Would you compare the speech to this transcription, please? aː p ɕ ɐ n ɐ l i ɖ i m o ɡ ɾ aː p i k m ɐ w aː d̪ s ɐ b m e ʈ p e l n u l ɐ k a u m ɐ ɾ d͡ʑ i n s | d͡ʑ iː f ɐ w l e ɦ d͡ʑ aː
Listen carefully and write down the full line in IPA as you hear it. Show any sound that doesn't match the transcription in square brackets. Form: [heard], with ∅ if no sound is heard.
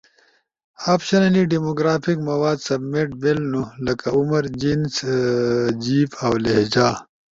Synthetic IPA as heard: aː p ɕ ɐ n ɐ l i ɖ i m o ɡ ɾ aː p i k m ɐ w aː d̪ s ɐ b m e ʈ [b] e l n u l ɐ k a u m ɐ ɾ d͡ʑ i n s | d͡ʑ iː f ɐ w l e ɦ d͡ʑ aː